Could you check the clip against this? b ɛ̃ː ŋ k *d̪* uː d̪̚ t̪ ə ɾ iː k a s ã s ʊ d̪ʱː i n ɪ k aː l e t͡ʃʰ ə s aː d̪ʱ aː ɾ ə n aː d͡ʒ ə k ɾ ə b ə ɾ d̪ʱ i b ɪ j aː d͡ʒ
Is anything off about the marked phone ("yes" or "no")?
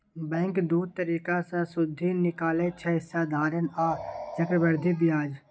no